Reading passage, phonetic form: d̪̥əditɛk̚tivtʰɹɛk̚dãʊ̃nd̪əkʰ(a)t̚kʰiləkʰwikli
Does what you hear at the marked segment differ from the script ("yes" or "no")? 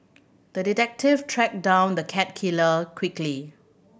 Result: yes